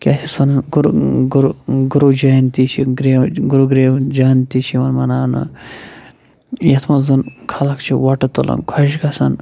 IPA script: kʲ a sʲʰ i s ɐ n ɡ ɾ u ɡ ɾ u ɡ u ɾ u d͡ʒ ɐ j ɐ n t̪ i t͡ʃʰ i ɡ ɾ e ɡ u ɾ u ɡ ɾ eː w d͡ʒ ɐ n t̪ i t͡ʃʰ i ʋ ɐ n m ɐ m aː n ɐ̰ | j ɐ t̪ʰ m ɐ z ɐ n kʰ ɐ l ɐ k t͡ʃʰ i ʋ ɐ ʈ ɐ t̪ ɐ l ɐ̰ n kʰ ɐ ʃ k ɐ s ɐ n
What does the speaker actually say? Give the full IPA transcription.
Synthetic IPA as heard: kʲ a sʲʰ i s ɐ n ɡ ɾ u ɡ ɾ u ɡ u ɾ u d͡ʒ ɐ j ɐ n t̪ i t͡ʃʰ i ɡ ɾ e ɡ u ɾ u ɡ ɾ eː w d͡ʒ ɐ n t̪ i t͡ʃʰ i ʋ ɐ n m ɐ n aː n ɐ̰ | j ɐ t̪ʰ m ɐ z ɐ n kʰ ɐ l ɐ k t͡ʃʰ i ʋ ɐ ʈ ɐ t̪ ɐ l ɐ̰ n kʰ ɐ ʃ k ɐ s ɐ n